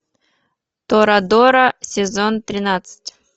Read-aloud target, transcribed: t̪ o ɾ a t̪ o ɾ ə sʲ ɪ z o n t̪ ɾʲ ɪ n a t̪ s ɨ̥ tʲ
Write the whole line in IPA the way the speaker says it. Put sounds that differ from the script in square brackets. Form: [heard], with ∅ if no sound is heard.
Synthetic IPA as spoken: t̪ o ɾ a [d̪] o ɾ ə sʲ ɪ z o n t̪ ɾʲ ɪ n a t̪ s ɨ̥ tʲ